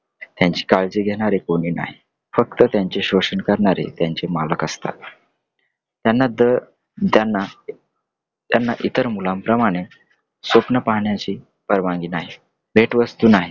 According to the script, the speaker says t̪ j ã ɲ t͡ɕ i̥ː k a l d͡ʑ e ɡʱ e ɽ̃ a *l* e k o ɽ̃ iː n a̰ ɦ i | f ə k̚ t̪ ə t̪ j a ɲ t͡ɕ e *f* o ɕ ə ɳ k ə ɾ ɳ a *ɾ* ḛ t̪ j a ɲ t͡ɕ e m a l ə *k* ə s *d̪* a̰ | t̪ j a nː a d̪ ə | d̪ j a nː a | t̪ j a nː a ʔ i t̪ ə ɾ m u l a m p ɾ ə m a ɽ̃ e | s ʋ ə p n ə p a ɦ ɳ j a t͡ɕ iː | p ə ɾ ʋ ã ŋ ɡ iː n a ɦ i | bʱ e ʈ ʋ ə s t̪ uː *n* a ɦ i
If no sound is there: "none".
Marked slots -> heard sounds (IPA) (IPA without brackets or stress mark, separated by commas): ɾ, ɕ, ɾ, k, t̪, n